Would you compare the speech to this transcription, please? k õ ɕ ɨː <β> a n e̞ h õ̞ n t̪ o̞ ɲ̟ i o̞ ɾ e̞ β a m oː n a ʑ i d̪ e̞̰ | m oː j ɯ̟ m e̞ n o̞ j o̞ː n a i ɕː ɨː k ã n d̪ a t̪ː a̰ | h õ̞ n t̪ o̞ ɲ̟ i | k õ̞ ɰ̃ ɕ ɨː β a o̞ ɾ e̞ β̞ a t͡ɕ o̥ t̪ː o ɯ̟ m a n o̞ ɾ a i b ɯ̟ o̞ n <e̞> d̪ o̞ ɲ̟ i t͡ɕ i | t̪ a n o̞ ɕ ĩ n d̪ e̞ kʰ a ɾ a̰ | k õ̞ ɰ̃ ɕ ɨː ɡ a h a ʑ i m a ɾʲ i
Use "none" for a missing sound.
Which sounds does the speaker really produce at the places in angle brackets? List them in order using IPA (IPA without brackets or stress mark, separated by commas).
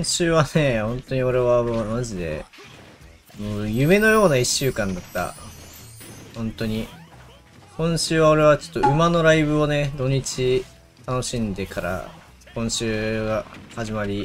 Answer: β, e̞